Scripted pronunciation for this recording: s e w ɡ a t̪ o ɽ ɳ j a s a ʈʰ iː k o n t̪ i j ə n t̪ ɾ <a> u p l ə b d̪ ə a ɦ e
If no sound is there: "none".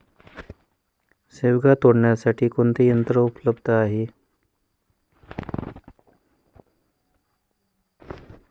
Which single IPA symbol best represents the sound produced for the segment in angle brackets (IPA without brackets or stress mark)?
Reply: ə